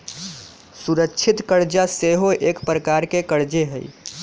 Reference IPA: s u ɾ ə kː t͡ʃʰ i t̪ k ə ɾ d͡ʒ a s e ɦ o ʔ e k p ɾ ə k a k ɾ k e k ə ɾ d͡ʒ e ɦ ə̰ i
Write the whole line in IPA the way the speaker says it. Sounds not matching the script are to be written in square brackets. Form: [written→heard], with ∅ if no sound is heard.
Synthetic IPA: s u ɾ ə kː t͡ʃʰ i t̪ k ə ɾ d͡ʒ a s e ɦ o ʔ e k p ɾ ə k a [k→∅] ɾ k e k ə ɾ d͡ʒ e ɦ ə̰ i